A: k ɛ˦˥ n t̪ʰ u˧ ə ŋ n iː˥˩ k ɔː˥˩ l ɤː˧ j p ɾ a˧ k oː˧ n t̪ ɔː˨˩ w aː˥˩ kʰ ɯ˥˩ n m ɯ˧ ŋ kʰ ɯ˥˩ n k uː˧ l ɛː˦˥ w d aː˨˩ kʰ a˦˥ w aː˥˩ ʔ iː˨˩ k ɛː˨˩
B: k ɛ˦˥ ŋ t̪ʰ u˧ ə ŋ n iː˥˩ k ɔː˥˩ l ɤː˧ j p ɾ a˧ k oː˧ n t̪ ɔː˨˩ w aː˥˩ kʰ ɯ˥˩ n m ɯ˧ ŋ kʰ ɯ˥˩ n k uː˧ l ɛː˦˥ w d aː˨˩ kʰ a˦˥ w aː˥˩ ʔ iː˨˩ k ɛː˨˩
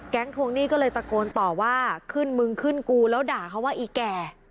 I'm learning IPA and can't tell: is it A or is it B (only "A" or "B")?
B